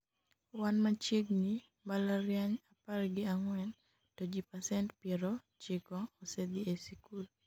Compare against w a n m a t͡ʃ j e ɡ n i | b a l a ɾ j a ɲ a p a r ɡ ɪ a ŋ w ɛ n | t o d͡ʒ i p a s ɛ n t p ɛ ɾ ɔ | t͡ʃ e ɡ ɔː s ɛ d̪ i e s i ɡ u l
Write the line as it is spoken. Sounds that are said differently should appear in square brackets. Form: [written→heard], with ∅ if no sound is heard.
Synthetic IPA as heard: w a n m a t͡ʃ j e ɡ n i | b a l a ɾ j a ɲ a p a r ɡ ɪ a ŋ w ɛ n | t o d͡ʒ i p a s ɛ n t p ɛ ɾ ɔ | t͡ʃ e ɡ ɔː s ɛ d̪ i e s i [ɡ→k] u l

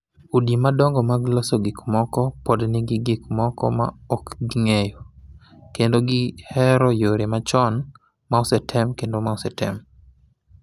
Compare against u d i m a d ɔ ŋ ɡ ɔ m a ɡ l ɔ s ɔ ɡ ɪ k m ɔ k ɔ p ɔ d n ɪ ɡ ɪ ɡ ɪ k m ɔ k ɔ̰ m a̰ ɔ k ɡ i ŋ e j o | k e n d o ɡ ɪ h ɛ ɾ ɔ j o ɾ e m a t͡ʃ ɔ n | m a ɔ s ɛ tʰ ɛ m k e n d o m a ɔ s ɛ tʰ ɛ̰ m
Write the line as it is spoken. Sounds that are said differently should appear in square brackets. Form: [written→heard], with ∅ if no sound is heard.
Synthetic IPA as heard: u d i m a d ɔ ŋ ɡ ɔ m a ɡ l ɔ s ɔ ɡ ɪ k m ɔ k ɔ p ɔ d n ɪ ɡ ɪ ɡ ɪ k m ɔ k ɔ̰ m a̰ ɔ k ɡ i ŋ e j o | k e n d o ɡ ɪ h ɛ ɾ ɔ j o ɾ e m a t͡ʃ ɔ n | m a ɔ s ɛ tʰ ɛ m k e n d o m a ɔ s ɛ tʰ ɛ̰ m

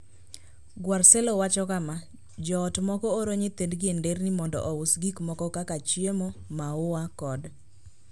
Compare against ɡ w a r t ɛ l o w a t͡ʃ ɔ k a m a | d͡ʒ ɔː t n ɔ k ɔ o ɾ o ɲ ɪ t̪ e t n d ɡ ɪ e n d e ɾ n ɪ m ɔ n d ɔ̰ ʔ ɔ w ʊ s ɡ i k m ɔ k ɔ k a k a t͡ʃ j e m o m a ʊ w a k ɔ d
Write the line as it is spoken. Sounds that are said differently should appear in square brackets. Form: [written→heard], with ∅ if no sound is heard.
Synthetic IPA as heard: ɡ w a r [t→s] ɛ l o w a t͡ʃ ɔ k a m a | d͡ʒ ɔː t [n→m] ɔ k ɔ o ɾ o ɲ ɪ t̪ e [t→∅] n d ɡ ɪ e n d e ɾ n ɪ m ɔ n d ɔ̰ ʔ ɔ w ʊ s ɡ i k m ɔ k ɔ k a k a t͡ʃ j e m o m a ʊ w a k ɔ d

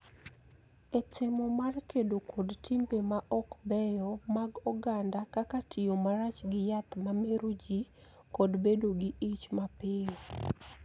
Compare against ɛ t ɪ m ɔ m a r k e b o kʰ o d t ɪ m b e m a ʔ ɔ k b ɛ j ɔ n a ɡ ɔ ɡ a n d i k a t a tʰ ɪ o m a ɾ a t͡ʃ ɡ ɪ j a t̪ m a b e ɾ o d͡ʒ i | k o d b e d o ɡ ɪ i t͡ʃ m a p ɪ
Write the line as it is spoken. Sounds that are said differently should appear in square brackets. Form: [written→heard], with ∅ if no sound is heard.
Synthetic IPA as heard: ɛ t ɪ m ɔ m a r k e [b→d] o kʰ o d t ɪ m b e m a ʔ ɔ k b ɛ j ɔ [n→m] a ɡ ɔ ɡ a n d [i→a] k a [t→k] a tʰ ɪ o m a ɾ a t͡ʃ ɡ ɪ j a t̪ m a [b→m] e ɾ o d͡ʒ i | k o d b e d o ɡ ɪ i t͡ʃ m a p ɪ

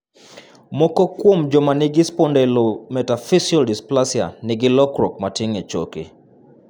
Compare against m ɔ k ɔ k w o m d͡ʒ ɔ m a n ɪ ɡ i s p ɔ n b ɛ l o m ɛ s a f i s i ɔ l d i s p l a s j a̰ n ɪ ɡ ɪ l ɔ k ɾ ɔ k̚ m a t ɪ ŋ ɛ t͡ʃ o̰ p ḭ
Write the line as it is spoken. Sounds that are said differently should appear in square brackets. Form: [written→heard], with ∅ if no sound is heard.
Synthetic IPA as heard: m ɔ k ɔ k w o m d͡ʒ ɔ m a n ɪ ɡ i s p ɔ n [b→d] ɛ l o m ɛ [s→t] a f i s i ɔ l d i s p l a s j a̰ n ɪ ɡ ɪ l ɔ k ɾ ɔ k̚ m a t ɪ ŋ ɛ t͡ʃ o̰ [p→k] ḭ

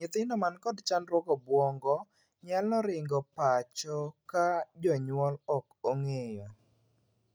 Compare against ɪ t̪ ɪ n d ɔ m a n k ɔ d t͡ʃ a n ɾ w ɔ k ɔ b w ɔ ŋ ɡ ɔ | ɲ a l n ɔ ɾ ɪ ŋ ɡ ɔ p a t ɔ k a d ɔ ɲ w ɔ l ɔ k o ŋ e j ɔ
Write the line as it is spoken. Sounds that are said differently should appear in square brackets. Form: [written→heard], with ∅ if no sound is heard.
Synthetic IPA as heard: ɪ t̪ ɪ n d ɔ m a n k ɔ d t͡ʃ a n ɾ w ɔ k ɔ b w ɔ ŋ ɡ ɔ | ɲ a l n ɔ ɾ ɪ ŋ ɡ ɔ p a [t→t͡ʃ] ɔ k a [d→d͡ʒ] ɔ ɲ w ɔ l ɔ k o ŋ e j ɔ

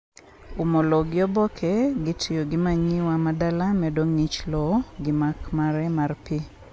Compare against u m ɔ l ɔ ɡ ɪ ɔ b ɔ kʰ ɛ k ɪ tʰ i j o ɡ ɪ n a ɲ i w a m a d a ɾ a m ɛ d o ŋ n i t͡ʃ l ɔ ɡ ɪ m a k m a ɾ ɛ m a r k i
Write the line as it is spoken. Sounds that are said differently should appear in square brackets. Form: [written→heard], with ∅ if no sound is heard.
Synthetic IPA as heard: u m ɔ l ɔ ɡ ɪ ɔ b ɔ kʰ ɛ [k→ɡ] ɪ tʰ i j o ɡ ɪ [n→m] a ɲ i w a m a d a [ɾ→l] a m ɛ d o ŋ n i t͡ʃ l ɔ ɡ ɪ m a k m a ɾ ɛ m a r [k→p] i

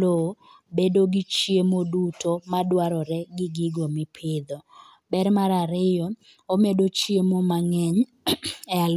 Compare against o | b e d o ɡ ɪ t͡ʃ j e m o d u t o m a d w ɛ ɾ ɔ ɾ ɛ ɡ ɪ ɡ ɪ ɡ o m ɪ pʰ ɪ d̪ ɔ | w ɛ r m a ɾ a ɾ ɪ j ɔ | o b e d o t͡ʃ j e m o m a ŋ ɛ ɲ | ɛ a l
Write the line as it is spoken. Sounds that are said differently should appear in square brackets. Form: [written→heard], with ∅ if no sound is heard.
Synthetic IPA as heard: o | b e d o ɡ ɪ t͡ʃ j e m o d u t o m a d w [ɛ→a] ɾ ɔ ɾ ɛ ɡ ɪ ɡ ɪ ɡ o m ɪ pʰ ɪ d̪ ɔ | [w→b] ɛ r m a ɾ a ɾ ɪ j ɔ | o [b→m] e d o t͡ʃ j e m o m a ŋ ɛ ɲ | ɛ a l

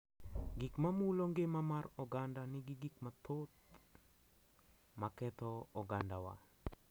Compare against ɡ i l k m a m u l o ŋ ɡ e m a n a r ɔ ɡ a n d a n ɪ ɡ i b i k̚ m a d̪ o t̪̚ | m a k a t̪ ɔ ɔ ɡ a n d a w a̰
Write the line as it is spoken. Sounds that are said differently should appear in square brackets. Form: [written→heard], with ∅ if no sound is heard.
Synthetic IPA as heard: ɡ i [l→∅] k m a m u l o ŋ ɡ e m a [n→m] a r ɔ ɡ a n d a n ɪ ɡ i [b→ɡ] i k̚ m a [d̪→t̪] o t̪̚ | m a k [a→ɛ] t̪ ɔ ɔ ɡ a n d a w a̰

